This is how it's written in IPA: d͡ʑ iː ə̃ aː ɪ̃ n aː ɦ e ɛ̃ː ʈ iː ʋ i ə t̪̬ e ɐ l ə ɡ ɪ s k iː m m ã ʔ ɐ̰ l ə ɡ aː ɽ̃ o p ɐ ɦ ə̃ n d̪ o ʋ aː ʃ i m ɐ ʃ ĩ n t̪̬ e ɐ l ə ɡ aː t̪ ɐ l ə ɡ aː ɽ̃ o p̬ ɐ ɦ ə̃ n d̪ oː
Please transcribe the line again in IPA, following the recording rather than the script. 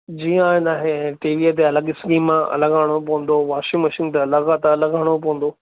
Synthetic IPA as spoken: d͡ʑ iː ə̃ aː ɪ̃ n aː ɦ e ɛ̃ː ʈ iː ʋ i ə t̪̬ e ɐ l ə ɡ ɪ s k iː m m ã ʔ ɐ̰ l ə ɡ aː ɽ̃ o p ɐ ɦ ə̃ n d̪ o ʋ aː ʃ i m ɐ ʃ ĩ n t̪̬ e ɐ l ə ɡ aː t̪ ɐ l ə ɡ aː ɽ̃ o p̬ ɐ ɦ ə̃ n d̪ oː